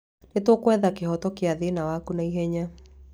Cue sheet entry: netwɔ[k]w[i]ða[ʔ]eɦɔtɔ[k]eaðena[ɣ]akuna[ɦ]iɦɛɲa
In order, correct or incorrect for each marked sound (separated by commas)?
correct, incorrect, incorrect, correct, incorrect, incorrect